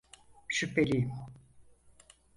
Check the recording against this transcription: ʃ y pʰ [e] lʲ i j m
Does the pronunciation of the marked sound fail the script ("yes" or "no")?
no